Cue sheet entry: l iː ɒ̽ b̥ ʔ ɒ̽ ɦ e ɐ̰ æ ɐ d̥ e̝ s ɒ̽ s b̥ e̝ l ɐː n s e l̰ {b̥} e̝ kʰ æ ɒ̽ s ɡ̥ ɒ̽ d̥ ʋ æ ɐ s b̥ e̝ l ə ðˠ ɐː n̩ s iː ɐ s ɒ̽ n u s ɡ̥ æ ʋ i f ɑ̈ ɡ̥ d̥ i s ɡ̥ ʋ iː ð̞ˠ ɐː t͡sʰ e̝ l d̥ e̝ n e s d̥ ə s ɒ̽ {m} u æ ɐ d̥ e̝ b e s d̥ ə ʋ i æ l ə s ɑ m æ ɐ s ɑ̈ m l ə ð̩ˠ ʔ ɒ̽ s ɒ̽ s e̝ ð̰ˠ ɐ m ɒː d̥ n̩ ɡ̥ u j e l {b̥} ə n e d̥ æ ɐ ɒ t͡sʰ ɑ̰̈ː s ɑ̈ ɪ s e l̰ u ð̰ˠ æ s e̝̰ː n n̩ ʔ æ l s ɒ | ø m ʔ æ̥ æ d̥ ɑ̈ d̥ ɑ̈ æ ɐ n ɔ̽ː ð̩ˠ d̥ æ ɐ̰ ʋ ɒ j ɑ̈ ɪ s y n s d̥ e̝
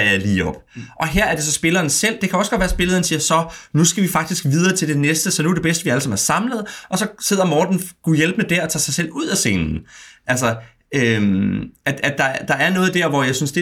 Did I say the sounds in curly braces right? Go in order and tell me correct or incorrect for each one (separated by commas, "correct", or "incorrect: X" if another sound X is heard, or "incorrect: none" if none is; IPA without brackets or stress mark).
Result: incorrect: d̥, incorrect: n, correct